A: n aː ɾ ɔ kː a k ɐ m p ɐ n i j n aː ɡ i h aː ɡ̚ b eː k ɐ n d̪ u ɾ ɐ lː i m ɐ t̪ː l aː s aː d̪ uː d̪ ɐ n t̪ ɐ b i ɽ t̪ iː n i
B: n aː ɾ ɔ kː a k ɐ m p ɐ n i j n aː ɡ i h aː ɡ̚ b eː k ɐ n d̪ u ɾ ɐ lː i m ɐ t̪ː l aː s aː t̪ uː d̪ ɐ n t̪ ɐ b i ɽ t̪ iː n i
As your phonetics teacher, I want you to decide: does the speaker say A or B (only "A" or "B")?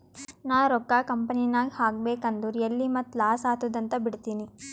B